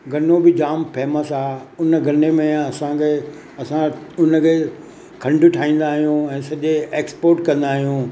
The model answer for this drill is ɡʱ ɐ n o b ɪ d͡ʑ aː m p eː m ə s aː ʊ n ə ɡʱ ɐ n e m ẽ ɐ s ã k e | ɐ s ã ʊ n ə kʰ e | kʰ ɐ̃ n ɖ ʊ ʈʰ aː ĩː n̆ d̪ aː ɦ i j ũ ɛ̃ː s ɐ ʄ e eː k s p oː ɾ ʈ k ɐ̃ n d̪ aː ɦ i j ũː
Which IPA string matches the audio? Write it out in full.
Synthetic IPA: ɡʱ ɐ n o b ɪ d͡ʑ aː m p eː m ə s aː ʊ n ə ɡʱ ɐ n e m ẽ ɐ s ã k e | ɐ s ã ʊ n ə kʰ e | kʰ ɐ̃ ɳ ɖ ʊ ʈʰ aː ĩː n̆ d̪ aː ɦ i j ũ ɛ̃ː s ɐ ʄ e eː k s p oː ɾ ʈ k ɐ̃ n d̪ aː ɦ i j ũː